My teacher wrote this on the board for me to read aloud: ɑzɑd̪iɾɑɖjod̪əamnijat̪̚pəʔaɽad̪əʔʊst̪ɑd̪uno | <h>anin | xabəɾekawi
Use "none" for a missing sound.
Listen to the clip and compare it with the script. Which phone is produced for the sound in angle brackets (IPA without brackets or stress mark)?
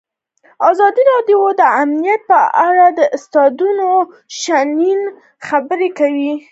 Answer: ʃ